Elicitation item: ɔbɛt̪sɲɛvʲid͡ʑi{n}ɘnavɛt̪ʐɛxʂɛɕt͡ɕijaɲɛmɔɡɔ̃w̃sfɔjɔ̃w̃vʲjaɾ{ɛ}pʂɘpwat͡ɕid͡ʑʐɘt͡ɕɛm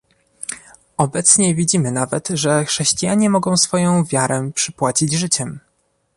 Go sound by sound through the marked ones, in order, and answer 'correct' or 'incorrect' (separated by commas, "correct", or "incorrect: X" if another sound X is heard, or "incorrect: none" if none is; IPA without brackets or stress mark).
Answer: incorrect: m, correct